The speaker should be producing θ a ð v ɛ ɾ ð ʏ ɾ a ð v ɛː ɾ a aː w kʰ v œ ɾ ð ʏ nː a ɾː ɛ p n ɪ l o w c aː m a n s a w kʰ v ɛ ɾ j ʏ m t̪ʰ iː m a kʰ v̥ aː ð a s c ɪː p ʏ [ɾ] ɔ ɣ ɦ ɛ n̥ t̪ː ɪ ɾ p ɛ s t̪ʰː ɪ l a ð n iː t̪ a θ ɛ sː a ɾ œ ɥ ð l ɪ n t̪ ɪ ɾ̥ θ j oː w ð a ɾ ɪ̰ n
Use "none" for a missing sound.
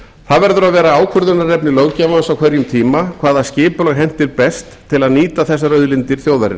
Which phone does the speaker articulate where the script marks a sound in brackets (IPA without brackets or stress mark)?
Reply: l